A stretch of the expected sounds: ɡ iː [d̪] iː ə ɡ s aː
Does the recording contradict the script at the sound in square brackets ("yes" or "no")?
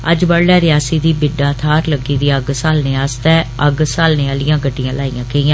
no